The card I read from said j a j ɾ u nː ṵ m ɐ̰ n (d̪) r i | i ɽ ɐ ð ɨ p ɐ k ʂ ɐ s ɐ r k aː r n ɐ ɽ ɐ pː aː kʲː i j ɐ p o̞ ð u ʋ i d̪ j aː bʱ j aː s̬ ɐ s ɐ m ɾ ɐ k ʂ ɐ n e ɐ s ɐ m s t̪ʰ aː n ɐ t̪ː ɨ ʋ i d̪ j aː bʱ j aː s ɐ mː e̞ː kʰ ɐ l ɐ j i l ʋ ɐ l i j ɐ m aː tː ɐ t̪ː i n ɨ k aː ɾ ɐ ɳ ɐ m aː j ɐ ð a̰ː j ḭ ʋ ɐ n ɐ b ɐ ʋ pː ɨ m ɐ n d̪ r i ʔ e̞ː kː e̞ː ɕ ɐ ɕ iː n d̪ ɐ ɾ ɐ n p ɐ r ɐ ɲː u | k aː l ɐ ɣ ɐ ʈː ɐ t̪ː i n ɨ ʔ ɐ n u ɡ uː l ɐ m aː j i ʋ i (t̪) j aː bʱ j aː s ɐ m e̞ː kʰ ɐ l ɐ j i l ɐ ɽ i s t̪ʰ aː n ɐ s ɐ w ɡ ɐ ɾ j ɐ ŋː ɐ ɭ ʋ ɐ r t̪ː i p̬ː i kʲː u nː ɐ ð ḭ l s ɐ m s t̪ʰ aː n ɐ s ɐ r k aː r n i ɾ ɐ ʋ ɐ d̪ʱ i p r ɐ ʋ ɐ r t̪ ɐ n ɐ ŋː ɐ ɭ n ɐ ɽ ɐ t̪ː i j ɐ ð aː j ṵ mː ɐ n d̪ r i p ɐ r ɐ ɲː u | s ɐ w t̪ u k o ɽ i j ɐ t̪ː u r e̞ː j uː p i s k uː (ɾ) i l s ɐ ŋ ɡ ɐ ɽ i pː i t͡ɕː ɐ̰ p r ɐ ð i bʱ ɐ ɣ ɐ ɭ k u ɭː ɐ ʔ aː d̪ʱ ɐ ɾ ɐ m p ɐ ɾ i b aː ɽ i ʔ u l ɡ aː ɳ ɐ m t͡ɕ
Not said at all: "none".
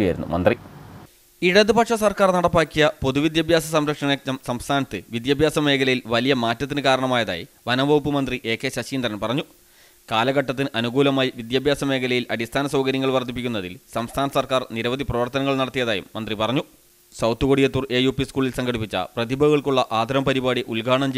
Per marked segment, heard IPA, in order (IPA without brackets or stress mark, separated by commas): d̪, d̪, ɭ